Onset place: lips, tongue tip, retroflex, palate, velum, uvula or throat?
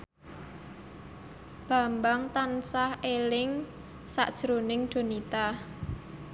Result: lips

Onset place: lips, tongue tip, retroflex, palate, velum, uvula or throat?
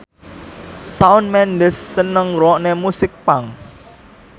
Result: tongue tip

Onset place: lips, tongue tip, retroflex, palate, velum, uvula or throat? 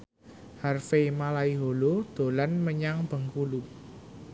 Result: throat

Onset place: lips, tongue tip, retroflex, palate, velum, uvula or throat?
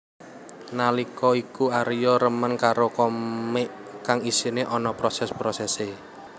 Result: tongue tip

